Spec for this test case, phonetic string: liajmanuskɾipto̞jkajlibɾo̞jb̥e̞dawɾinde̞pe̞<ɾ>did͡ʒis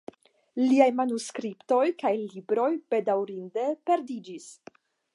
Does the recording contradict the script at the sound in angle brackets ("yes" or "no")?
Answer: no